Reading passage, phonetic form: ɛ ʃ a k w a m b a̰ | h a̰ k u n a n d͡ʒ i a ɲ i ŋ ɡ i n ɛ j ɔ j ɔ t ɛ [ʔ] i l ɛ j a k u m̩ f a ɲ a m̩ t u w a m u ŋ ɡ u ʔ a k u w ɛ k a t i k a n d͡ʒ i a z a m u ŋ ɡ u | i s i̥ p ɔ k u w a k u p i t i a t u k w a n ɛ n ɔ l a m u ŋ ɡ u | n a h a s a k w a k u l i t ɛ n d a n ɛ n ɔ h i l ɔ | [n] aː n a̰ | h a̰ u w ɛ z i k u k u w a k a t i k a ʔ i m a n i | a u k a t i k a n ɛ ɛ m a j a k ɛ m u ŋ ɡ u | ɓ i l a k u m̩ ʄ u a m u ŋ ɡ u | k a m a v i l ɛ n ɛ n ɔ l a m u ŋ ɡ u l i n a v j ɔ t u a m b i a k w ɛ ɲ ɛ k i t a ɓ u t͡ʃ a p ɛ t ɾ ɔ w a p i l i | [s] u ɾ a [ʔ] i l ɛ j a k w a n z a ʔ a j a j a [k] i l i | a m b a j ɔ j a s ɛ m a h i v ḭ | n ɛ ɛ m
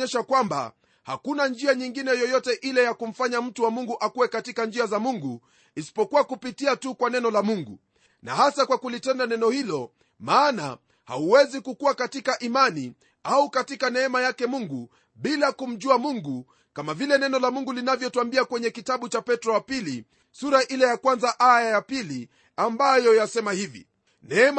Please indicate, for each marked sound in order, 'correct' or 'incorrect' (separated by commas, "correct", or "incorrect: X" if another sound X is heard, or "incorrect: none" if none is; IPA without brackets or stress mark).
correct, incorrect: m, correct, correct, incorrect: p